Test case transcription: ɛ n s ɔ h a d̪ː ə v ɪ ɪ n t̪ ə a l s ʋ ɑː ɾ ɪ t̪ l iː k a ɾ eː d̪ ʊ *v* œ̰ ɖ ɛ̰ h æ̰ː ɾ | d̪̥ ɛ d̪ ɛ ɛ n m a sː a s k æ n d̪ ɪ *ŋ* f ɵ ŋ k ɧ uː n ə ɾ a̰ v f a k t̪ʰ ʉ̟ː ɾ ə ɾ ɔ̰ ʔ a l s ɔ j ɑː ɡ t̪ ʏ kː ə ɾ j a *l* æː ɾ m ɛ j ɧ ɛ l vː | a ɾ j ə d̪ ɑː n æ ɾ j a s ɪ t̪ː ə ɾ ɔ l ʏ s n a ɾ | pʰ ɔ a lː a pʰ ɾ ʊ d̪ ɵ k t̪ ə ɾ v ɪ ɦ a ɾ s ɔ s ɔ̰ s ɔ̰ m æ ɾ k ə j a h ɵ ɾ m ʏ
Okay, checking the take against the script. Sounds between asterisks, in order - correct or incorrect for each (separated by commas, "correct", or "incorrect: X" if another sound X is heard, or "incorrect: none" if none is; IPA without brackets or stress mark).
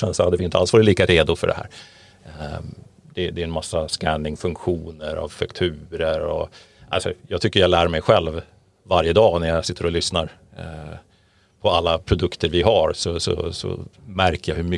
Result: incorrect: f, correct, correct